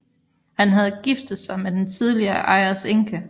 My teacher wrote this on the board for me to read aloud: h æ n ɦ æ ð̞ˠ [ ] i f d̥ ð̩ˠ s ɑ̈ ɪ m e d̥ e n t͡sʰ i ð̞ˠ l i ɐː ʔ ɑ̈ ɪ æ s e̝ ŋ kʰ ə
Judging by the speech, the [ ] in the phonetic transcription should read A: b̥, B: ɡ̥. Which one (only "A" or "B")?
B